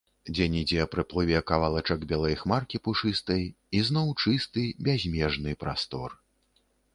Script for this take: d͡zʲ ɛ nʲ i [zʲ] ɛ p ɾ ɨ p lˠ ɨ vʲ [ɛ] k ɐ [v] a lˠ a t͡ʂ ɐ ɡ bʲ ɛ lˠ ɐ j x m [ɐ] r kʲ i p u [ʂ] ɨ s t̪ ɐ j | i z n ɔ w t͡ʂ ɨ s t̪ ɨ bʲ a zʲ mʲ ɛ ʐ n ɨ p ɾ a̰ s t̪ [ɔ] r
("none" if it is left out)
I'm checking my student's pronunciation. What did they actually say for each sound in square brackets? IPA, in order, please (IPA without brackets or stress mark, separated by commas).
d͡zʲ, ɛ, v, a, ʂ, ɔ